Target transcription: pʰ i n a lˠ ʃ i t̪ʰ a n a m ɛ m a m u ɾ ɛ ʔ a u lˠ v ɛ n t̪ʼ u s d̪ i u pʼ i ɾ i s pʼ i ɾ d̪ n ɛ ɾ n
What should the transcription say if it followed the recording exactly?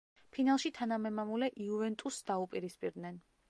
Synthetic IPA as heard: pʰ i n a lˠ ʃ i t̪ʰ a n a m ɛ m a m u l ɛ ʔ i u v ɛ n t̪ʼ u s d̪ a u pʼ i ɾ i s pʼ i ɾ d̪ n ɛ n